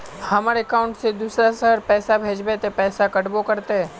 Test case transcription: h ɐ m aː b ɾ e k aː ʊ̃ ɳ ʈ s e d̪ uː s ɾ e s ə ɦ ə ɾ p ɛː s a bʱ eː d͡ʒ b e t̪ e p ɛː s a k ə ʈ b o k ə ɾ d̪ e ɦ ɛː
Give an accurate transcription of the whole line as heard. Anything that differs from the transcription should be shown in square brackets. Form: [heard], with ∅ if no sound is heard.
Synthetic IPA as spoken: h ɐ m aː [∅] ɾ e k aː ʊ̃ ɳ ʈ s e d̪ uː s ɾ [a] s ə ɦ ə ɾ p ɛː s a bʱ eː d͡ʒ b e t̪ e p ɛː s a k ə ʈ b o k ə ɾ [t̪] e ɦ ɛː